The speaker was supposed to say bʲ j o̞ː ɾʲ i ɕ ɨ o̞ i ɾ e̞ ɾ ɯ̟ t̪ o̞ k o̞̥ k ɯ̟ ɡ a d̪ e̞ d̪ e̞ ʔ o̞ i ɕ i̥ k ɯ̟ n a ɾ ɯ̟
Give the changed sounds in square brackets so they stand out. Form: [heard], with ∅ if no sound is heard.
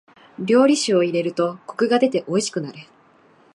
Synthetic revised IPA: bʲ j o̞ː ɾʲ i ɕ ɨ o̞ i ɾ e̞ ɾ ɯ̟ t̪ o̞ k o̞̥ k ɯ̟ ɡ a d̪ e̞ [t̪] e̞ ʔ o̞ i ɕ i̥ k ɯ̟ n a ɾ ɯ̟